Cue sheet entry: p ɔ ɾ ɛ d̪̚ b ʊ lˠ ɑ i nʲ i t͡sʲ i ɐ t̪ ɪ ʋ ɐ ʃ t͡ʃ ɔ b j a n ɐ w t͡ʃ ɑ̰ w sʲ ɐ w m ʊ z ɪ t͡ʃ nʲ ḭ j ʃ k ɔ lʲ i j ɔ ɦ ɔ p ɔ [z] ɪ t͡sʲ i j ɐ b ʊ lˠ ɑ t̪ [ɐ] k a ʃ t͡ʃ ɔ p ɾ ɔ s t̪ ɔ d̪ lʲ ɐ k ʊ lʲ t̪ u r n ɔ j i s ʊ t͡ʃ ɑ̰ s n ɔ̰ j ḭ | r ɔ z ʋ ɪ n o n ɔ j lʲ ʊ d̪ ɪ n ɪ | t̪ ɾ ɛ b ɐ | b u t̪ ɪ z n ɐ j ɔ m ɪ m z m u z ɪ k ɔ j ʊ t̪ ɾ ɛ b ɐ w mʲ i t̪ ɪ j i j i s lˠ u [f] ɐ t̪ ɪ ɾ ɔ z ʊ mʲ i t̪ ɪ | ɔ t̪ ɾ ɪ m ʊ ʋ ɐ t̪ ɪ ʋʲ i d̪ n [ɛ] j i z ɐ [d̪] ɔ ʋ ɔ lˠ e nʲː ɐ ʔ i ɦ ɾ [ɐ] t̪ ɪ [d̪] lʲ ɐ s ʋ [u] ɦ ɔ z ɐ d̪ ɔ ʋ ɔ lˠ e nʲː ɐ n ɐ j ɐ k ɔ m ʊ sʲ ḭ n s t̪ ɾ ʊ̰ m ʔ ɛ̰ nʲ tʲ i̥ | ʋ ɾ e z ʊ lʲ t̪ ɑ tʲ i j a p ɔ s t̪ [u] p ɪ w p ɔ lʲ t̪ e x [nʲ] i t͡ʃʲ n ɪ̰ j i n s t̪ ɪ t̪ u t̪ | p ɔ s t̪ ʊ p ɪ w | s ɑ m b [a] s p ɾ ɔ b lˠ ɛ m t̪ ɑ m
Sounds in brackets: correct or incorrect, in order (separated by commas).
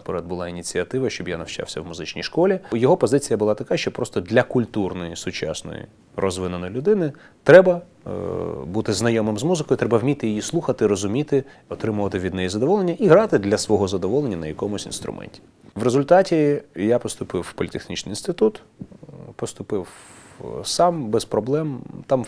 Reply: correct, correct, incorrect, correct, correct, incorrect, correct, incorrect, incorrect, correct, incorrect